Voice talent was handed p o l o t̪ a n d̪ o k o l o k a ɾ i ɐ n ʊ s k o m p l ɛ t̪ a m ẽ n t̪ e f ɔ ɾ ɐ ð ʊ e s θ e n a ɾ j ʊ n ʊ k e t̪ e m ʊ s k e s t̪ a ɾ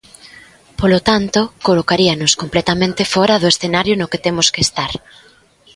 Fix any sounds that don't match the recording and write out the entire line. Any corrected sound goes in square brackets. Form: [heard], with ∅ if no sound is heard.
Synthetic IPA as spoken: p o l o t̪ a n [t̪] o k o l o k a ɾ i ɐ n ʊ s k o m p l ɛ t̪ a m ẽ n t̪ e f ɔ ɾ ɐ ð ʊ e s θ e n a ɾ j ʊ n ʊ k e t̪ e m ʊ s k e s t̪ a ɾ